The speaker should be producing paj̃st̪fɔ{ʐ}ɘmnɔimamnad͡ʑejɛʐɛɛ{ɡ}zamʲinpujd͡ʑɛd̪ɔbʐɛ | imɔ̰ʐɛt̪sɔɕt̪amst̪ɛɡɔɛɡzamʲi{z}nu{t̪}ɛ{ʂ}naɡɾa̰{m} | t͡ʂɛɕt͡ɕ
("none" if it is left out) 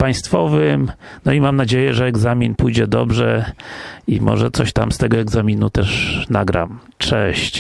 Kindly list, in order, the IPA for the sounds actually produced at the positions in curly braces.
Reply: v, ɡ, none, t̪, ʂ, m

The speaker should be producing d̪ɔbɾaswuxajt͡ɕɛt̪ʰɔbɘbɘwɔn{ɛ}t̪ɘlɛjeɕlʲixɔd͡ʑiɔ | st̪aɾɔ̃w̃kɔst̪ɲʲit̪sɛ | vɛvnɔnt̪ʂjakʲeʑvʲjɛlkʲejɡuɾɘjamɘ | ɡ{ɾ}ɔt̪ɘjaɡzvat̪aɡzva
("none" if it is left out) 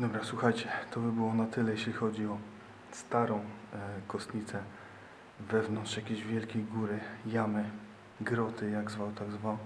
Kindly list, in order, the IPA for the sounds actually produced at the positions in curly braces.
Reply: a, ɾ

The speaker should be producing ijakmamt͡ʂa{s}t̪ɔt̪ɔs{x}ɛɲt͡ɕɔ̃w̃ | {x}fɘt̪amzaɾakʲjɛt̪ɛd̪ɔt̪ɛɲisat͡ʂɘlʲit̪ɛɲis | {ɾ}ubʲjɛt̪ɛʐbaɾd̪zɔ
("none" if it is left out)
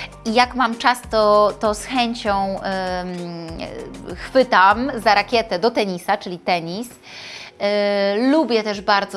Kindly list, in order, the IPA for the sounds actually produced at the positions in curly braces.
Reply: s, x, x, l

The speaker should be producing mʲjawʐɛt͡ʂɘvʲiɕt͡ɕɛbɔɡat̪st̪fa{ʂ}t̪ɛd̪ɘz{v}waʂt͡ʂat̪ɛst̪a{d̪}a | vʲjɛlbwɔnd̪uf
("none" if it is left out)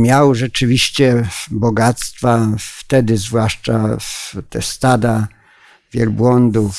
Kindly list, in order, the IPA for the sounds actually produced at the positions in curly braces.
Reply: f, v, d̪

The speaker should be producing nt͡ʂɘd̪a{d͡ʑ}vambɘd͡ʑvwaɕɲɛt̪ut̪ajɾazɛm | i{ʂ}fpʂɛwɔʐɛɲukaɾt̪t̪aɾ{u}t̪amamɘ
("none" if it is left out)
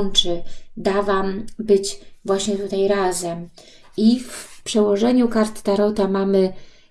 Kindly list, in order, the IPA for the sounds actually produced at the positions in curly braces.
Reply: none, f, ɔ

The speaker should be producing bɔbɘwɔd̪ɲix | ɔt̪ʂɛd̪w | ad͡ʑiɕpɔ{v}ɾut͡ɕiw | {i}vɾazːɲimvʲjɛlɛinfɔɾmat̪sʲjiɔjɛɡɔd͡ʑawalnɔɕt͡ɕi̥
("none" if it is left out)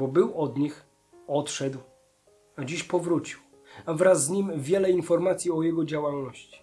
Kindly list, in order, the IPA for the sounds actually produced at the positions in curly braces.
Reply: v, a

